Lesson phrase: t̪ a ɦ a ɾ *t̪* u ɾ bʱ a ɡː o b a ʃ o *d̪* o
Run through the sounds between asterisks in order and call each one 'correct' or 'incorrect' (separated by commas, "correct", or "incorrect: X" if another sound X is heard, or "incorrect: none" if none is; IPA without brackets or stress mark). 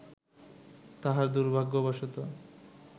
incorrect: d̪, incorrect: t̪